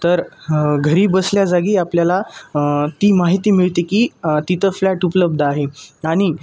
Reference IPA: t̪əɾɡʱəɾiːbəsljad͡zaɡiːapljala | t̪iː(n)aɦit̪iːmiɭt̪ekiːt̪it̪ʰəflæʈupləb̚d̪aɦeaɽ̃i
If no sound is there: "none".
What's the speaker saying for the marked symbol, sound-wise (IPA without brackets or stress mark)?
m